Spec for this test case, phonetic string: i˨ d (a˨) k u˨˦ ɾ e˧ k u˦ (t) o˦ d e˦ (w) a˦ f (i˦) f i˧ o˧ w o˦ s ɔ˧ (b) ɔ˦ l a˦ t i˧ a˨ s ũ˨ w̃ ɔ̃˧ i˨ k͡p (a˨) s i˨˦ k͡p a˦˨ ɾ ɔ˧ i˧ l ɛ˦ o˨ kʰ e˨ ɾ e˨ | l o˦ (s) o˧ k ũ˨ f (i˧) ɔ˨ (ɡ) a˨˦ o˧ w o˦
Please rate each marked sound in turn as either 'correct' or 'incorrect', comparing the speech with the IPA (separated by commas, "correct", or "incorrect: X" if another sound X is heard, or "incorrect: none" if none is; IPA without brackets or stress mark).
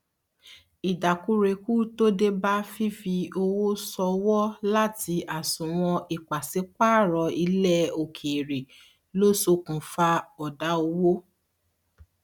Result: correct, correct, incorrect: b, correct, incorrect: w, correct, correct, incorrect: a˧, incorrect: d